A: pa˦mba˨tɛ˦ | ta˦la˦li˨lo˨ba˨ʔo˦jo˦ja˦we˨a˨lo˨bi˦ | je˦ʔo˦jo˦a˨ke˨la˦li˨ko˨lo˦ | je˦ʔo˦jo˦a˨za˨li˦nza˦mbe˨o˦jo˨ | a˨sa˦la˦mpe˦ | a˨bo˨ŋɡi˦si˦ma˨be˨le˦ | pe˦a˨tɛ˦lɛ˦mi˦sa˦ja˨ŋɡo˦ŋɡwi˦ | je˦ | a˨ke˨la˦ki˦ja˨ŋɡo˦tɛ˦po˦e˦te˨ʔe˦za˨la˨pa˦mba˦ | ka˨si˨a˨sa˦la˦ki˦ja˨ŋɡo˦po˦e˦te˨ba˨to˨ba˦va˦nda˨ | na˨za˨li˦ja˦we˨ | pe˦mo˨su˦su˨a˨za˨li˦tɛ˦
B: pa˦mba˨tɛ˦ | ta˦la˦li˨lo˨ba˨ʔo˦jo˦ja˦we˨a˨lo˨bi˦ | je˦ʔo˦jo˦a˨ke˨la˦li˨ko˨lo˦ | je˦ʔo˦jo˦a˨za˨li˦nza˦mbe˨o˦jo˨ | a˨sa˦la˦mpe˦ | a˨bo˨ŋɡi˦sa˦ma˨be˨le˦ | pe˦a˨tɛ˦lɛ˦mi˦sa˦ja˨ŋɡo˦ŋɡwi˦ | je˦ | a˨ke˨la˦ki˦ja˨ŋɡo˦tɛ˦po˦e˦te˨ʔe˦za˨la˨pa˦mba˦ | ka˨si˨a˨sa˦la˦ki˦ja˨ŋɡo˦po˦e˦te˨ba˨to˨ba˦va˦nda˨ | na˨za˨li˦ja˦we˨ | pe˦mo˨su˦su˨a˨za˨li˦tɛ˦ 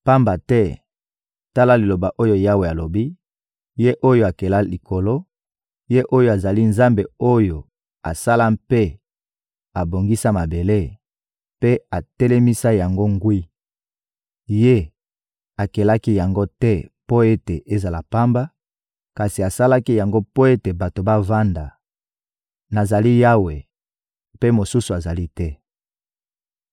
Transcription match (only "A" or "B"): B